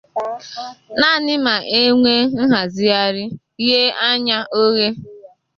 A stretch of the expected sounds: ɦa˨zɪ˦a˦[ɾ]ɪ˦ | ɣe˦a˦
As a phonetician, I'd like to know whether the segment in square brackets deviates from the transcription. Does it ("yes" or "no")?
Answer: no